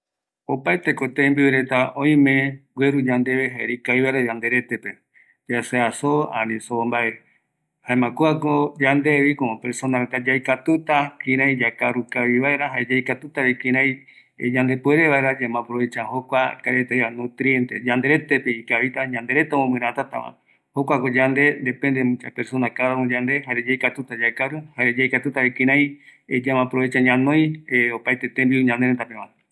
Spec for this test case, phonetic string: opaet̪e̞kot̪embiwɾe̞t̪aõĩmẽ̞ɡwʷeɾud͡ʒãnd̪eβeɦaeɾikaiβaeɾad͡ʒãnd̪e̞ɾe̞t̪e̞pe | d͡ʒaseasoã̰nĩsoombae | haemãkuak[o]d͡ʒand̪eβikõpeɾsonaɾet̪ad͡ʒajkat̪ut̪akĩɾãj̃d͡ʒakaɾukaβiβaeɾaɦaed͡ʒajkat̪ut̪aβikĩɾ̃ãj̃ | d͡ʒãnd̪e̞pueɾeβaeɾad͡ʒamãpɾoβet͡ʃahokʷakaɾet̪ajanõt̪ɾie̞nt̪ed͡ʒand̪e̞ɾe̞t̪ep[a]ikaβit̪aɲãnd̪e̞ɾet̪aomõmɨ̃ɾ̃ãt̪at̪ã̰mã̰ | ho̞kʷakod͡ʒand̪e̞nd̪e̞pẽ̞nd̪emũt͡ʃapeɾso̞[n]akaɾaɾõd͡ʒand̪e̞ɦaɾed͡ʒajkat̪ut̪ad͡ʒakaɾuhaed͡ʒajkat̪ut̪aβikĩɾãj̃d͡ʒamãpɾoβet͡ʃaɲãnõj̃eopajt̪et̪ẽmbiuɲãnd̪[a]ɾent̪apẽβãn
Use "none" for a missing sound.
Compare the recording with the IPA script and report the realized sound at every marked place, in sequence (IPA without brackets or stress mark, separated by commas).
o, e, n, e